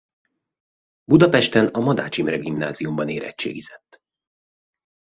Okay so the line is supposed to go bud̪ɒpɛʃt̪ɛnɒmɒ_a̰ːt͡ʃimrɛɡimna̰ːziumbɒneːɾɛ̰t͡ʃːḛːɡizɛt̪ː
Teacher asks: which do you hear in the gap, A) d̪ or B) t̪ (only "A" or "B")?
A